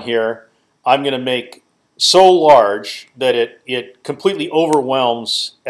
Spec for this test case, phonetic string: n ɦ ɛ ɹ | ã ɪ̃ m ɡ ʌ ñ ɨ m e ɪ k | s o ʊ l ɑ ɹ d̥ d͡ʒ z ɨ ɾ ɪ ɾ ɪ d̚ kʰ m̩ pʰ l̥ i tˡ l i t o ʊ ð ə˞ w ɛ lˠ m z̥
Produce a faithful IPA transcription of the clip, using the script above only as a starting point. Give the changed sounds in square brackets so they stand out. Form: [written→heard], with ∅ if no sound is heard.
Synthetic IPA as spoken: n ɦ [ɛ→i] ɹ | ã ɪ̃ m ɡ ʌ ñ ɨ m e ɪ k | s o ʊ l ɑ ɹ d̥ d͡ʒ [z→ð] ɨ ɾ ɪ ɾ ɪ [d̚→t̚] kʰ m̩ pʰ l̥ i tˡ l i [t→ʔ] o ʊ [ð→v] ə˞ w ɛ lˠ m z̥

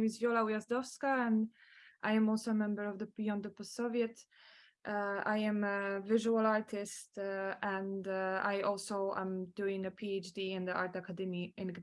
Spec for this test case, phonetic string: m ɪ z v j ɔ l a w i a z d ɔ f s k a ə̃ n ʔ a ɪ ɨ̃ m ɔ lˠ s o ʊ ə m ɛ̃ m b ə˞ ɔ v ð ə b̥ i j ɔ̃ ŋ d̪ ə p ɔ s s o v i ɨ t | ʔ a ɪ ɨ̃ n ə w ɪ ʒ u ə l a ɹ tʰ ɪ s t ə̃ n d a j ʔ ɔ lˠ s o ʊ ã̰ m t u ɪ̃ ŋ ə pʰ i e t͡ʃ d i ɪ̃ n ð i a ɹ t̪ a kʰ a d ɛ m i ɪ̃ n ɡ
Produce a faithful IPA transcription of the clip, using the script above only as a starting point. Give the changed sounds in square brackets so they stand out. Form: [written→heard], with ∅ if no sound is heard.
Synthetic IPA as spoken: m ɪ z v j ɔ l a w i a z d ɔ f s k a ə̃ n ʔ a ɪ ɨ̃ m ɔ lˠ s o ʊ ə m ɛ̃ m b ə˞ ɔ v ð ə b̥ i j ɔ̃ [ŋ→n] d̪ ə p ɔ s s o v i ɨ t | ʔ a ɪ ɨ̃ [n→m] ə [w→v] ɪ ʒ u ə l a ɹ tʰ ɪ s t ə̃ n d a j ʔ ɔ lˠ s o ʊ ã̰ m [t→d] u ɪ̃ ŋ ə pʰ i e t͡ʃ d i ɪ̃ n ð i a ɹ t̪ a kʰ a d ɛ m i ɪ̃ n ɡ

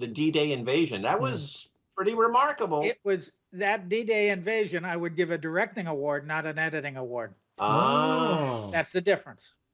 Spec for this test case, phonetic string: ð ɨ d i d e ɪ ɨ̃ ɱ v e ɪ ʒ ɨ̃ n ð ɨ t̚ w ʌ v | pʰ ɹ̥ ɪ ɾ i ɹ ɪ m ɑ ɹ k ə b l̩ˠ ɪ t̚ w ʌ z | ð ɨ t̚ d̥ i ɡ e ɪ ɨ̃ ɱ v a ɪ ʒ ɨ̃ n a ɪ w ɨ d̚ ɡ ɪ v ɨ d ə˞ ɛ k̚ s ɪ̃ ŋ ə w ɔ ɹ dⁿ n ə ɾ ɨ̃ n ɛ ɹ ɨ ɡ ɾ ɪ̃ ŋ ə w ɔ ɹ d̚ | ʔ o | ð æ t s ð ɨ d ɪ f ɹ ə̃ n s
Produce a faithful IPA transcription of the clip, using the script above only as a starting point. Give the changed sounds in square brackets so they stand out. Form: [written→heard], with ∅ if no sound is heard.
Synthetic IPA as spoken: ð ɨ d i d e ɪ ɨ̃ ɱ v e ɪ ʒ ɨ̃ n ð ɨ t̚ w ʌ [v→z] | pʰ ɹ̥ ɪ ɾ i ɹ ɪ m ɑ ɹ k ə b l̩ˠ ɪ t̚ w ʌ z | ð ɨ t̚ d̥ i [ɡ→d] e ɪ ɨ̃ ɱ v [a→e] ɪ ʒ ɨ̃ n a ɪ w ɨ d̚ ɡ ɪ v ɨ d ə˞ ɛ k̚ [s→t] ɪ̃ ŋ ə w ɔ ɹ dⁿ n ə ɾ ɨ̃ n ɛ [ɹ→ɾ] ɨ [ɡ→∅] ɾ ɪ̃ ŋ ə w ɔ ɹ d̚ | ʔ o | ð æ t s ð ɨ d ɪ f ɹ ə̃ n s

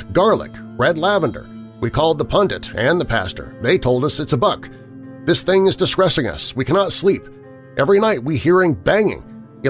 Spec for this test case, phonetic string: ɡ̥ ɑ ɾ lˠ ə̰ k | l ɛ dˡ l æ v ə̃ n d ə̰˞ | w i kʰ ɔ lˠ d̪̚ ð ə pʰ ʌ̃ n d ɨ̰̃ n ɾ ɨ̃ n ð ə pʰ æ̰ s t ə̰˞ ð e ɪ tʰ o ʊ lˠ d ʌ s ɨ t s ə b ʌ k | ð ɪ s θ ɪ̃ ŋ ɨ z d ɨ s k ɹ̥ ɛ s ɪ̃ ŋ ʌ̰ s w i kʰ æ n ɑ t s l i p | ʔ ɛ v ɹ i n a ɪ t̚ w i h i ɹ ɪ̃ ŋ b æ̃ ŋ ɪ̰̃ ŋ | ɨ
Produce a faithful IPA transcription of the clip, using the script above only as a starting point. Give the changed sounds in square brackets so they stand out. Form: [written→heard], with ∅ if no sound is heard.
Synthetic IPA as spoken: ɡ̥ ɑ [ɾ→ɹ] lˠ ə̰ k | [l→ɹ] ɛ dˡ l æ v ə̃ n d ə̰˞ | w i kʰ ɔ lˠ d̪̚ ð ə pʰ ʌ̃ n d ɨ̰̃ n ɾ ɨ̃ n ð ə pʰ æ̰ s t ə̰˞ ð e ɪ tʰ o ʊ lˠ d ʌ s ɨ t s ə b ʌ k | ð ɪ s θ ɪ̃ ŋ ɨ z d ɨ s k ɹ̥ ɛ s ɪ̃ ŋ ʌ̰ s w i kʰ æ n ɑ t s l i p | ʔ ɛ v ɹ i n a ɪ t̚ w i h i ɹ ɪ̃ ŋ b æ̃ ŋ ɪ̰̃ ŋ | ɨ

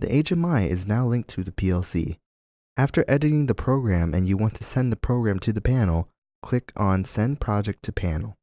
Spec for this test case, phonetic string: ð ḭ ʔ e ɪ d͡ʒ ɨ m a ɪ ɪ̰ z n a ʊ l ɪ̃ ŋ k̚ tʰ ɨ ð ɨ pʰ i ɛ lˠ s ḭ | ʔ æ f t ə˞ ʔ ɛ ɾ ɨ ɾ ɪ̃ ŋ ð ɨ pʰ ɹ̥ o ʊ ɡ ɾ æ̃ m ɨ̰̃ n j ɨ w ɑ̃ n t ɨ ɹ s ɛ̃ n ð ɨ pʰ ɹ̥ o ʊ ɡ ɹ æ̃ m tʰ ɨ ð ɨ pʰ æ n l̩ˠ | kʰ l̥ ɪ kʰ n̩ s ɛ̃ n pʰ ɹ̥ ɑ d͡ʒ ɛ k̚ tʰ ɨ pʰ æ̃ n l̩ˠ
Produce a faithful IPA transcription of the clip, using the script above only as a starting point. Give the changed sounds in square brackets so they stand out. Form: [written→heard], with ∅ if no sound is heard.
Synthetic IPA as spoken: ð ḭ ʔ e ɪ d͡ʒ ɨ m a ɪ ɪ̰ z n a ʊ l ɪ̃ ŋ k̚ tʰ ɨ ð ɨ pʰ i ɛ lˠ s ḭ | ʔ æ f t ə˞ ʔ ɛ ɾ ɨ ɾ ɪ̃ ŋ ð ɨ pʰ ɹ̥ o ʊ ɡ [ɾ→ɹ] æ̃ m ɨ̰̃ n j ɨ w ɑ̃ n [t→tʰ] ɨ [ɹ→∅] s ɛ̃ n ð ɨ pʰ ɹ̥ o ʊ ɡ ɹ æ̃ m tʰ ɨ ð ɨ pʰ æ n l̩ˠ | kʰ l̥ ɪ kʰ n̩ s ɛ̃ n pʰ ɹ̥ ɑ d͡ʒ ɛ k̚ tʰ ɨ pʰ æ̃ n l̩ˠ

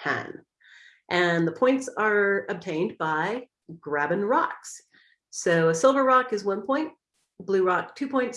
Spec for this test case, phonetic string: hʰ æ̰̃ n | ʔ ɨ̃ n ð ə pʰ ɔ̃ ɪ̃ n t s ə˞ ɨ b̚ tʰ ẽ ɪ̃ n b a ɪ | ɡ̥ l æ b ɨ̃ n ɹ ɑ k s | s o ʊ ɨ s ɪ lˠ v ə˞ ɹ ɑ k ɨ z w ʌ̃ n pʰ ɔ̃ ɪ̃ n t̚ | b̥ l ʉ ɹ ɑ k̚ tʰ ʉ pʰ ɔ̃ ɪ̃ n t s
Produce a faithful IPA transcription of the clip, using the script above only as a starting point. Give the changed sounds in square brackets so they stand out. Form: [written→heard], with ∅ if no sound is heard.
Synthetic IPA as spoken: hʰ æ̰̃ n | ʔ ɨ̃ n ð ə pʰ ɔ̃ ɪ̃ n t s ə˞ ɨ b̚ tʰ ẽ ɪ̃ n b a ɪ | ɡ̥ [l→ɹ] æ b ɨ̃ n ɹ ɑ k s | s o ʊ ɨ s ɪ lˠ v ə˞ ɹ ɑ k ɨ z w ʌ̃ n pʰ ɔ̃ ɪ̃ n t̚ | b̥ l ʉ ɹ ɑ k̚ tʰ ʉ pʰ ɔ̃ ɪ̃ n t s

